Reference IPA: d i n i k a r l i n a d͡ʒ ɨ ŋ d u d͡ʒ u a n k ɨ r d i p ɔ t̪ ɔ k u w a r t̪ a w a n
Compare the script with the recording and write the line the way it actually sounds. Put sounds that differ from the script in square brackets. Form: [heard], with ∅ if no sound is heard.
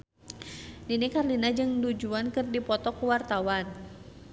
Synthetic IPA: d i n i k a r l i n a d͡ʒ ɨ ŋ d u d͡ʒ u a n k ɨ r d i p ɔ t̪ ɔ k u w a r t̪ a w a n